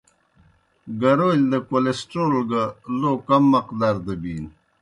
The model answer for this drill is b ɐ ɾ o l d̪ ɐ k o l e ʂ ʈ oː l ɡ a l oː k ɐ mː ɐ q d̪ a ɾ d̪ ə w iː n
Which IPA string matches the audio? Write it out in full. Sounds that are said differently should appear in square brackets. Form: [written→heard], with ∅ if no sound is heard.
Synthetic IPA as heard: [b→ɡ] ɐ ɾ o l d̪ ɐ k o l e [ʂ→s] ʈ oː l ɡ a l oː k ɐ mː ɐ q d̪ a ɾ d̪ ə [w→b] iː n